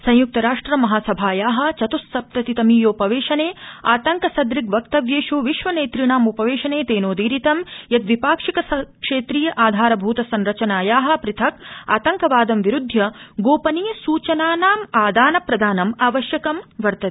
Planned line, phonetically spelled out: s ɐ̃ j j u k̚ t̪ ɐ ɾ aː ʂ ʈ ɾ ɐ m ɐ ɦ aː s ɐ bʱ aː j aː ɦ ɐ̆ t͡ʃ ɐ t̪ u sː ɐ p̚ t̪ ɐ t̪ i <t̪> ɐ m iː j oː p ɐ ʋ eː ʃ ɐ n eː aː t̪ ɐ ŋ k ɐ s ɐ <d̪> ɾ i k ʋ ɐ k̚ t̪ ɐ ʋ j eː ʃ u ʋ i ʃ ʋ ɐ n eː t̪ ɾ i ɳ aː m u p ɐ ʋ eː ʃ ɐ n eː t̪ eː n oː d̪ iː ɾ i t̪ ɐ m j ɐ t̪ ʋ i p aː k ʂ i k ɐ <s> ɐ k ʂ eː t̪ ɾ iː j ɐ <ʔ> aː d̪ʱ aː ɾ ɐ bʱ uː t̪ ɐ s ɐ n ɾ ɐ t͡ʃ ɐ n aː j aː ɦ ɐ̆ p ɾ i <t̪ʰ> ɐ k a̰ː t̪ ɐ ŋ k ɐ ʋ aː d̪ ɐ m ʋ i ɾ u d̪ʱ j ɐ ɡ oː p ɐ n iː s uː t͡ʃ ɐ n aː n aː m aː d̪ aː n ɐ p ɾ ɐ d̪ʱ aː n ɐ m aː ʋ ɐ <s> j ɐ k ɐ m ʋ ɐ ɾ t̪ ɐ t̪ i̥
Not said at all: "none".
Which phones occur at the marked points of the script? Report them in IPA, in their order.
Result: t̪, d̪, s, ʔ, t̪ʰ, ʃ

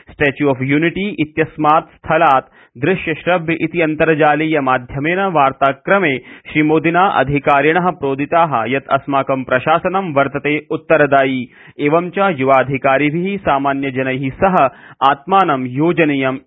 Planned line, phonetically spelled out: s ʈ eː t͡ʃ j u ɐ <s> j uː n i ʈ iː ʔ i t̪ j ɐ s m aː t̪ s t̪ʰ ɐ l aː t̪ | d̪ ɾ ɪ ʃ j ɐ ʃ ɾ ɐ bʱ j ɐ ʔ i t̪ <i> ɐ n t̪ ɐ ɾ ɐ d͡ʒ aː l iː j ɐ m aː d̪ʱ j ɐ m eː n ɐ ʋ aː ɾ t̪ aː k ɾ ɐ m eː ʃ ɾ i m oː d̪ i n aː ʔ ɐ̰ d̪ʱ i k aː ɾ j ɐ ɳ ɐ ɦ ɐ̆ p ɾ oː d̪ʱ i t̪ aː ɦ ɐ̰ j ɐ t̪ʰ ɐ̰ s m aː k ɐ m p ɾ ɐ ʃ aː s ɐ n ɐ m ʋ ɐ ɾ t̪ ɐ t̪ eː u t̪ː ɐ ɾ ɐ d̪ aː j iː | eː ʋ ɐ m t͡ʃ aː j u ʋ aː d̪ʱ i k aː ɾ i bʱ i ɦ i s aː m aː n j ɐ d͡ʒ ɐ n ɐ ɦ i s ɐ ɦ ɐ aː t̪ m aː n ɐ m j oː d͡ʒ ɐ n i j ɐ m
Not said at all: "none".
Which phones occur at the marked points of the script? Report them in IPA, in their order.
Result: f, i

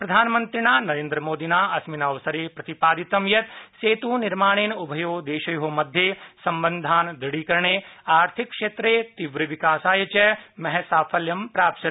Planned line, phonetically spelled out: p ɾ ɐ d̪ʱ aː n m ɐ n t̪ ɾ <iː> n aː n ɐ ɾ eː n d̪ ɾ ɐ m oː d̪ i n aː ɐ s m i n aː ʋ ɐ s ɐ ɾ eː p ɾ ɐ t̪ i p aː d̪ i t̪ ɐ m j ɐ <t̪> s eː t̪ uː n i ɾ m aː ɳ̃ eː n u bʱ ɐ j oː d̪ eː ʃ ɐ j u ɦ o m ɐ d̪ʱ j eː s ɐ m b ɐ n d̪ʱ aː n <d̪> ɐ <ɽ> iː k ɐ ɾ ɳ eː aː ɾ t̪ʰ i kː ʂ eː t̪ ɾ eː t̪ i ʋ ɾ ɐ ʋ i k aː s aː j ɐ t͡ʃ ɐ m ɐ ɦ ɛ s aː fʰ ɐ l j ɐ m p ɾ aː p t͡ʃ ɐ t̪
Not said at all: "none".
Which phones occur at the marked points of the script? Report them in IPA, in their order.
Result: i, t̪, d̪, ɽ

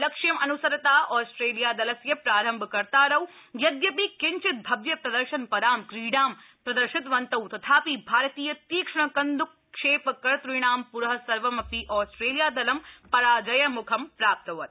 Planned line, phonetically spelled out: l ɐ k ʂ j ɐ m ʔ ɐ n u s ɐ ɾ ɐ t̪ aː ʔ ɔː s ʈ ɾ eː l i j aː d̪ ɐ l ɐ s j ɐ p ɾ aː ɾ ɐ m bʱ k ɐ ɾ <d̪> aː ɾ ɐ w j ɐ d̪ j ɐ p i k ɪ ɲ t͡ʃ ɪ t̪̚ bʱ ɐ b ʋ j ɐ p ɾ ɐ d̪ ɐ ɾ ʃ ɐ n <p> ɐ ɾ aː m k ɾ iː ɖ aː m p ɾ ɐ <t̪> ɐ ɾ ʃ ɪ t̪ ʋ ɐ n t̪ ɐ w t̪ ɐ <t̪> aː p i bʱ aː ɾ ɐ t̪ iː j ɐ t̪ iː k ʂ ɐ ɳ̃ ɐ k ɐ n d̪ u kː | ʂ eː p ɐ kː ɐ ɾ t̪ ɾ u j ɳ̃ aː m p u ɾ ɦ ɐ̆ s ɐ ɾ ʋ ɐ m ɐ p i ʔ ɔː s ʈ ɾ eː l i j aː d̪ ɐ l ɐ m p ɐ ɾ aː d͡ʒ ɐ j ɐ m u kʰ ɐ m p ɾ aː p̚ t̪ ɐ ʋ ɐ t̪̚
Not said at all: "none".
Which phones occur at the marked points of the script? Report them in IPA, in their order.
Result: t̪, p, d̪, t̪ʰ

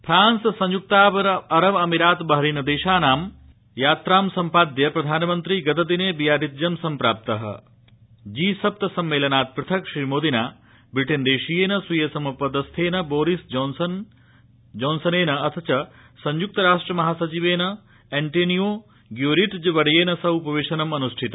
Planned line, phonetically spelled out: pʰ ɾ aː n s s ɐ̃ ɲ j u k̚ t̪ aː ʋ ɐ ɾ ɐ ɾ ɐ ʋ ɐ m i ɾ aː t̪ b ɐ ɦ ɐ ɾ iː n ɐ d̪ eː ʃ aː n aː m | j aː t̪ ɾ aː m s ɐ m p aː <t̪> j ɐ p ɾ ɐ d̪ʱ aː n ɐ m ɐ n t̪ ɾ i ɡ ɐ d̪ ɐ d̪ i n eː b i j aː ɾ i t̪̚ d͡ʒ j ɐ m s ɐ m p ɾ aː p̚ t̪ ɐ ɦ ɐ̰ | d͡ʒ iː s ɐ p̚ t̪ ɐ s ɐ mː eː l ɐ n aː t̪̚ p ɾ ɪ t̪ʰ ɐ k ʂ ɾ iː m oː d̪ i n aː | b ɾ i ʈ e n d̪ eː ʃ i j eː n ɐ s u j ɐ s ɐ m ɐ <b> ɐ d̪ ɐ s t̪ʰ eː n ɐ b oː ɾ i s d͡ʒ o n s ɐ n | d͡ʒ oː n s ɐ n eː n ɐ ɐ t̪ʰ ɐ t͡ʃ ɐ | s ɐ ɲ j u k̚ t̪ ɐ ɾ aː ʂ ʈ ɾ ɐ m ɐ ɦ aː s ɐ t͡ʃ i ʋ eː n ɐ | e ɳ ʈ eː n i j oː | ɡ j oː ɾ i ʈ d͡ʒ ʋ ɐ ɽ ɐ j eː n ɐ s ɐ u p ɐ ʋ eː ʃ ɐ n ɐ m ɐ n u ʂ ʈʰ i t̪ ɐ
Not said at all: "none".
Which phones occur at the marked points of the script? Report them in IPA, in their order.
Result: d̪, p

